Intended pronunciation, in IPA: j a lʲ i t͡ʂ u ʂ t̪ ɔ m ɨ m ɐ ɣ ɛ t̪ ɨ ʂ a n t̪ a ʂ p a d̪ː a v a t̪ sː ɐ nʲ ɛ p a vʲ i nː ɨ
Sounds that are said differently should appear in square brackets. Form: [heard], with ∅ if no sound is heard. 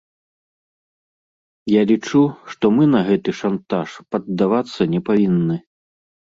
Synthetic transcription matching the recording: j a lʲ i t͡ʂ u ʂ t̪ ɔ m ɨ [n] ɐ ɣ ɛ t̪ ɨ ʂ a n t̪ a ʂ p [ɐ] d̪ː a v a t̪ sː ɐ nʲ ɛ p a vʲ i nː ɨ